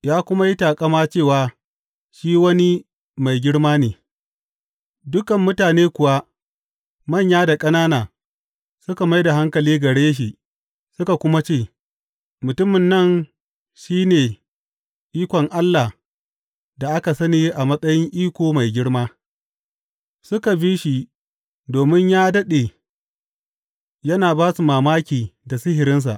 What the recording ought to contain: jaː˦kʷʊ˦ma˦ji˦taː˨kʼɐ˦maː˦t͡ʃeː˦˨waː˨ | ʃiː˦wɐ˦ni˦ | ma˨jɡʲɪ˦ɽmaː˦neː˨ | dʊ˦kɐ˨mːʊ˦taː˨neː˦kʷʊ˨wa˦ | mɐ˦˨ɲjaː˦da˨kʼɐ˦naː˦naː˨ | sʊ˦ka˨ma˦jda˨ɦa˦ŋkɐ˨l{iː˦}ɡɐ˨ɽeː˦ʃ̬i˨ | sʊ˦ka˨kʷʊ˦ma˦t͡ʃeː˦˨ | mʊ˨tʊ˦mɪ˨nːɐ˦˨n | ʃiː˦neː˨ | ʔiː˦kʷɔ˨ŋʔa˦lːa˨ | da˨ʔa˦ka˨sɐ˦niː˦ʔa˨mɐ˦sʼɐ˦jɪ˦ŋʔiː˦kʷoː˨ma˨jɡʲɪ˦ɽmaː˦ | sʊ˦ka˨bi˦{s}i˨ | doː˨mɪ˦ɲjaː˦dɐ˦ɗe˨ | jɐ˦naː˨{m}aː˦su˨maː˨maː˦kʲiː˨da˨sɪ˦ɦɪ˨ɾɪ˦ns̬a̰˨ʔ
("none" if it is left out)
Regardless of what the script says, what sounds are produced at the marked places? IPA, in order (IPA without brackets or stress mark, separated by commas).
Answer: iː˦, ʃ, b